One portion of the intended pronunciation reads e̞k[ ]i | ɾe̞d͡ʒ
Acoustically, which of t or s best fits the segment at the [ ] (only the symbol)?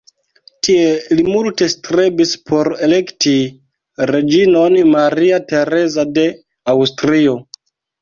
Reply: t